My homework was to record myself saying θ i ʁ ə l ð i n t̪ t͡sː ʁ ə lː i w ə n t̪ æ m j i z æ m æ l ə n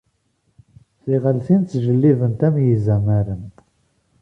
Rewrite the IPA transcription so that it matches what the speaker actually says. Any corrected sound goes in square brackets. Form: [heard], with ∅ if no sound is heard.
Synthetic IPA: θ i ʁ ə l [θ] i n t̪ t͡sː [ʒ] ə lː i [v] ə n t̪ æ m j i z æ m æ [ɾ] ə n